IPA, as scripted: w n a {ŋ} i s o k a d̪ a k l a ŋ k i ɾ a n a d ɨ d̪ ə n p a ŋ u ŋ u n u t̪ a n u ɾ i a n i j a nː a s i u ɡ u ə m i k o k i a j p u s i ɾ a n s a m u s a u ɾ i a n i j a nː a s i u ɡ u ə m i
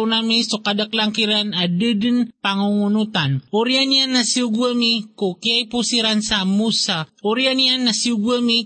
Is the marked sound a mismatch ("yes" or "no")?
yes